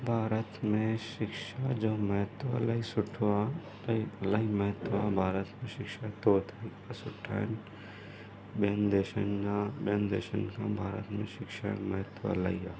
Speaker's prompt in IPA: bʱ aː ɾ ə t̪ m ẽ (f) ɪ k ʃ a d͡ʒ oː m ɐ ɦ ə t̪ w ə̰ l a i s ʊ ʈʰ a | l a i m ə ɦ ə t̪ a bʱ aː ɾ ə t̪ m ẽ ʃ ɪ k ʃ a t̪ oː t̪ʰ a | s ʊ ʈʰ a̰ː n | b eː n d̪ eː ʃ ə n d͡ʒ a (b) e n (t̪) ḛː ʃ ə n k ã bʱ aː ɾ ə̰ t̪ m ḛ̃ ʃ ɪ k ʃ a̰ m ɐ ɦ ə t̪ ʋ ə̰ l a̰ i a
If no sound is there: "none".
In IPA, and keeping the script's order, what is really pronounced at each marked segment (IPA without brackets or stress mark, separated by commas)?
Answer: ʃ, b, d̪